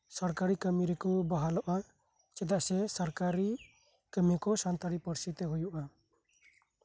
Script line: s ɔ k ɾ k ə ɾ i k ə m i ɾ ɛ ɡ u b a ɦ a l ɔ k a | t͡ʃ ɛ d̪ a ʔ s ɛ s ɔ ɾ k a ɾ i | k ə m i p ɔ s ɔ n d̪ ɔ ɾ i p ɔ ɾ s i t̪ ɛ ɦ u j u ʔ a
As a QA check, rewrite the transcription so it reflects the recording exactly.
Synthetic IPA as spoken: s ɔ ɾ k a ɾ i k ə m i ɾ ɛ k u b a ɦ a l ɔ ʔ a | t͡ʃ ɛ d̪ a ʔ s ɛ s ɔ ɾ k a ɾ i | k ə m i k ɔ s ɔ n t̪ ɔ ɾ i p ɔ ɾ s i t̪ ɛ ɦ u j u ʔ a